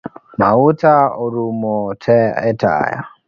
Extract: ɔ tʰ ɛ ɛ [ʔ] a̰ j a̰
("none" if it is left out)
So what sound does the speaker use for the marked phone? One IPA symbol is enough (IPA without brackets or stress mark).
t